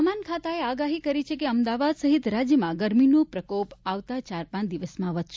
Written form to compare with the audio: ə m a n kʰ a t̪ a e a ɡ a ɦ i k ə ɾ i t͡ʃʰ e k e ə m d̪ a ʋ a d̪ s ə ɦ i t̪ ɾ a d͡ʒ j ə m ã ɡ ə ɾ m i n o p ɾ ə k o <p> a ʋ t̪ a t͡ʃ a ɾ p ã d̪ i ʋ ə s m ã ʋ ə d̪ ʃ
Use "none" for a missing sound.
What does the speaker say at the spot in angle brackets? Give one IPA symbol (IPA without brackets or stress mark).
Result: p